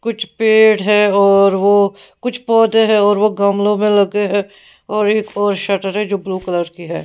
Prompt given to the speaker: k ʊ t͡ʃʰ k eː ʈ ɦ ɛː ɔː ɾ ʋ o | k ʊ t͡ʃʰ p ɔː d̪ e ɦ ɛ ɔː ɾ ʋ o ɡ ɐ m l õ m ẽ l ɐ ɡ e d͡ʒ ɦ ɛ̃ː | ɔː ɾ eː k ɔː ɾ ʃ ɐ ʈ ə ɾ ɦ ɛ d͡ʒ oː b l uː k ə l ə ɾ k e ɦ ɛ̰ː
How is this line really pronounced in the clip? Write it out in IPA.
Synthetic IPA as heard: k ʊ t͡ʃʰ p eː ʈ ɦ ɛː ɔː ɾ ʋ o | k ʊ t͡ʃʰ p ɔː d̪ e ɦ ɛ ɔː ɾ ʋ o ɡ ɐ m l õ m ẽ l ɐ ɡ e ɦ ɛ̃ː | ɔː ɾ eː k ɔː ɾ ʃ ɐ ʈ ə ɾ ɦ ɛ d͡ʒ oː b l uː k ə l ə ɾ k i ɦ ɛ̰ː